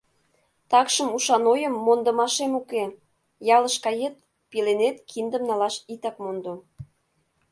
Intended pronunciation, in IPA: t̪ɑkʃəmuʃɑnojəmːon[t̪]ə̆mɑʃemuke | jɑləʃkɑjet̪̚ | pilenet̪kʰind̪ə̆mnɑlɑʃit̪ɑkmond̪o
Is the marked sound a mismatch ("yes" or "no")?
yes